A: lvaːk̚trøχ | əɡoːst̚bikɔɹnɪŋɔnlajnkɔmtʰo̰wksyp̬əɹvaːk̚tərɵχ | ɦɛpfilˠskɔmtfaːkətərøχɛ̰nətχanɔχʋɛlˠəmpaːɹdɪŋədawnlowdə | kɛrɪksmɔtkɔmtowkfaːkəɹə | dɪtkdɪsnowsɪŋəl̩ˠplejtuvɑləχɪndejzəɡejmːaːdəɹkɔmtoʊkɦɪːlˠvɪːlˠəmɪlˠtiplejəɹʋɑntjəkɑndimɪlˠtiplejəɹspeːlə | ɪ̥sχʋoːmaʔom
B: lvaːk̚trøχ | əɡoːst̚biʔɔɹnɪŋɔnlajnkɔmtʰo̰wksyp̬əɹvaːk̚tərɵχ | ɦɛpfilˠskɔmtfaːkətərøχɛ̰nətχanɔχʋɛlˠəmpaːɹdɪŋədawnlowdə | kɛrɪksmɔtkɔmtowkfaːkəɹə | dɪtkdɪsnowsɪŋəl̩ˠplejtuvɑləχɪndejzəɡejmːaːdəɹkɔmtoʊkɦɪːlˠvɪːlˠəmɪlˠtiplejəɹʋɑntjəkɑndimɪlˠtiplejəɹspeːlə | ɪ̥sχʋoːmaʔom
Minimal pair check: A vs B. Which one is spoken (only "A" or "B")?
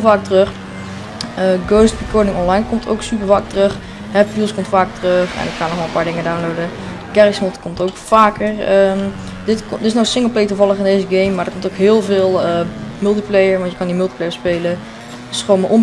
A